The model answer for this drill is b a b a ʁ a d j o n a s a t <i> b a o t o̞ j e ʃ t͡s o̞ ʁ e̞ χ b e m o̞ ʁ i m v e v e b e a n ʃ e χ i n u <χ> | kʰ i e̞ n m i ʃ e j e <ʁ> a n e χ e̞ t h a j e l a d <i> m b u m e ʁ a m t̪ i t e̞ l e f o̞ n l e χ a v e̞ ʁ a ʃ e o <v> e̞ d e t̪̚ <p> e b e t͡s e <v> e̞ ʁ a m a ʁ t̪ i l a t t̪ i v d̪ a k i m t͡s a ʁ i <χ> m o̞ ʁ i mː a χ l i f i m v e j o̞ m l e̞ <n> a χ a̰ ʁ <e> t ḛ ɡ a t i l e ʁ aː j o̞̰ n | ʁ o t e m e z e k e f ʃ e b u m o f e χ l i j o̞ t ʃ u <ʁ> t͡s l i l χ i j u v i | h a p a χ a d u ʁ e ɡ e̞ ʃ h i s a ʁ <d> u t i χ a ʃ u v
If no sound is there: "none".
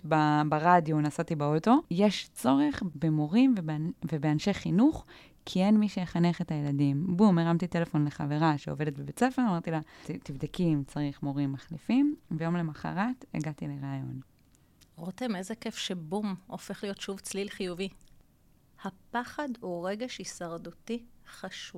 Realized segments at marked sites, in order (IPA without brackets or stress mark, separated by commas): i, χ, χ, i, v, b, f, χ, m, a, v, d